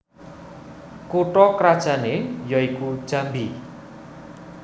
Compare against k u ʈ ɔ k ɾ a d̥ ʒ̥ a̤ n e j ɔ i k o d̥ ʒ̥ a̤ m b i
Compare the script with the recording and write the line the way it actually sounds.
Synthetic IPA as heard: k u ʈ ɔ k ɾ a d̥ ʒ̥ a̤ n e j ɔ i k u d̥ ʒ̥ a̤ m b i